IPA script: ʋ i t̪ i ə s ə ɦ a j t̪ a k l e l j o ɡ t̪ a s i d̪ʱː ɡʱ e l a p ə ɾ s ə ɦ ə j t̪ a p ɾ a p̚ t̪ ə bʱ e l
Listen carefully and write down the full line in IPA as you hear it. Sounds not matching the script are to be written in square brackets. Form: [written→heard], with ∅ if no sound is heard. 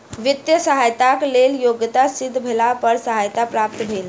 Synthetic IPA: ʋ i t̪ [i→j] ə s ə ɦ a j t̪ a k l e l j o ɡ t̪ a s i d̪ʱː [ɡʱ→bʱ] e l a p ə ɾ s ə ɦ [ə→a] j t̪ a p ɾ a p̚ t̪ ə bʱ e l